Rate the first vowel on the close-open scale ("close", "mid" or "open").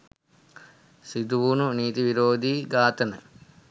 close